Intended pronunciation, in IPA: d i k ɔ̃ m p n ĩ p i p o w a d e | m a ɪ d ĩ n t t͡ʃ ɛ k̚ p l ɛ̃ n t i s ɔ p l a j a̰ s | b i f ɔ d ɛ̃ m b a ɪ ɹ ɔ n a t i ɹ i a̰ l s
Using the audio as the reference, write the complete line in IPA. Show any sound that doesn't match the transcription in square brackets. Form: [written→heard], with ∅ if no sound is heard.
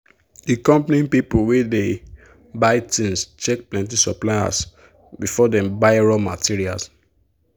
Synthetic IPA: d i k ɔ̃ m p n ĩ p i p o w [a→e] d e | [m→b] a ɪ [d→t] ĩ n [t→s] t͡ʃ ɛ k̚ p l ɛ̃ n t i s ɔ p l a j a̰ s | b i f ɔ d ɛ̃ m b a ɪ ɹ ɔ [n→m] a t i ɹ i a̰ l s